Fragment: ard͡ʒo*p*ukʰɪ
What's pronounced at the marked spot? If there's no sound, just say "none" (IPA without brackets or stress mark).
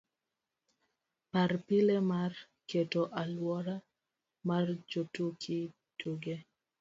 t